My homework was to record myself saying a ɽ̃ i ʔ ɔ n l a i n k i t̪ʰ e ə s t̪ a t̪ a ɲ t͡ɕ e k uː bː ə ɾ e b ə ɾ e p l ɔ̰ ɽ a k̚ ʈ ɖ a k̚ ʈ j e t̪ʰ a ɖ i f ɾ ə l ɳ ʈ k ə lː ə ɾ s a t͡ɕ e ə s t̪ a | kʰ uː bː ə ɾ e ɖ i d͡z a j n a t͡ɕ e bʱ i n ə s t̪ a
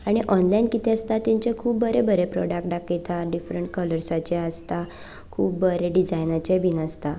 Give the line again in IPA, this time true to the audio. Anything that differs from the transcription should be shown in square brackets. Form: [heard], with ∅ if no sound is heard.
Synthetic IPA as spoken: a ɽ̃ i ʔ ɔ n l a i n k i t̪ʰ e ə s t̪ a t̪ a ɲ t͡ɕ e [kʰ] uː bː ə ɾ e b ə ɾ e p [ɾ] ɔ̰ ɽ a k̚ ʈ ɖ a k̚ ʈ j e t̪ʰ a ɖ i f ɾ ə [∅] ɳ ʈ k ə [l] ə ɾ s a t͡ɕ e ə s t̪ a | kʰ uː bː ə ɾ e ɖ i d͡z a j n a t͡ɕ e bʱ i n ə s t̪ a